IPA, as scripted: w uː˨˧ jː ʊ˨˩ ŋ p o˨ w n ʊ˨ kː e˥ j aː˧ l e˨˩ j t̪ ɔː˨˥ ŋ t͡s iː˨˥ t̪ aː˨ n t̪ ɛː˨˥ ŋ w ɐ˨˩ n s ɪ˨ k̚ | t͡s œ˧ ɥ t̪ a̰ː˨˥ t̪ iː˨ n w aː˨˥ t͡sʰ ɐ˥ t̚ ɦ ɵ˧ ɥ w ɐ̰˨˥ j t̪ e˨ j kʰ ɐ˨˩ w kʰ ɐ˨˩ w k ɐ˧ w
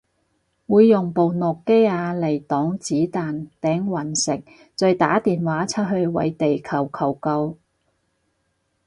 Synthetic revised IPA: w uː˨˧ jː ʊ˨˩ ŋ p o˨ w n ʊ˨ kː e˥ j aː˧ l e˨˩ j t̪ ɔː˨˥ ŋ t͡s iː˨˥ t̪ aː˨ n t̪ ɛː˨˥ ŋ w ɐ˨˩ n s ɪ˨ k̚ | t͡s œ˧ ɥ t̪ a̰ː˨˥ t̪ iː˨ n w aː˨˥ t͡sʰ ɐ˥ t̚ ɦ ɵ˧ ɥ w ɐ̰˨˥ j t̪ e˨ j kʰ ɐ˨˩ w kʰ ɐ˨˩ w k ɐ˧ w